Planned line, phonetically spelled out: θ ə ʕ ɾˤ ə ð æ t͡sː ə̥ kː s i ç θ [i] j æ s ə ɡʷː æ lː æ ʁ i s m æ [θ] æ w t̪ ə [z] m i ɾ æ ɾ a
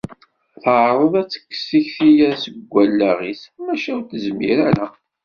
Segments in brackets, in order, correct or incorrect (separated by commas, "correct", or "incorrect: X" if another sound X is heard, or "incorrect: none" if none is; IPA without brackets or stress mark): correct, incorrect: ʃ, correct